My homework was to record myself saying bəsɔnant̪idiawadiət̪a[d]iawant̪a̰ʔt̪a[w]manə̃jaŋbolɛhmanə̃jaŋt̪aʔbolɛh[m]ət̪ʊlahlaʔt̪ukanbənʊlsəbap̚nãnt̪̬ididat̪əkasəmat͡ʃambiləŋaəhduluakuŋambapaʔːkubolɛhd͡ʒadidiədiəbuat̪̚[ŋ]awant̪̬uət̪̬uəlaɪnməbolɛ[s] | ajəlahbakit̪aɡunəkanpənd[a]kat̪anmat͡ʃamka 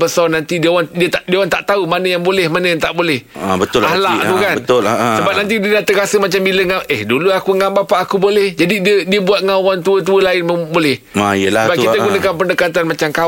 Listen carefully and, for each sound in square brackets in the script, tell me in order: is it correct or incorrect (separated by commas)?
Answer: correct, incorrect, incorrect, correct, incorrect, incorrect